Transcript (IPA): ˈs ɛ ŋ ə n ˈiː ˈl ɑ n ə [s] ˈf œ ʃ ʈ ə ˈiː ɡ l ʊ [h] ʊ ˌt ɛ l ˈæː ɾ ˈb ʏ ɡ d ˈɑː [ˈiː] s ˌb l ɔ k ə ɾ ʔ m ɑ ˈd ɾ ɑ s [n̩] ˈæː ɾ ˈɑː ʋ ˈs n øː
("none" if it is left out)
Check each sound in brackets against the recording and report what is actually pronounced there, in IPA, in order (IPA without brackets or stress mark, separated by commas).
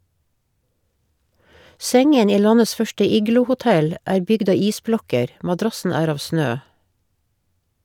s, h, iː, n̩